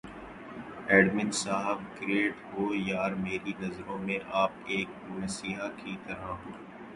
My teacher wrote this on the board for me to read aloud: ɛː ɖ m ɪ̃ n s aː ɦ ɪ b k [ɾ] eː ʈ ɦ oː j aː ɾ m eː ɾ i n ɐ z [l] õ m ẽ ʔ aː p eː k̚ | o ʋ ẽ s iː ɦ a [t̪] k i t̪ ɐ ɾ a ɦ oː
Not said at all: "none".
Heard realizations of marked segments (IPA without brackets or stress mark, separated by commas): ɾ, ɾ, none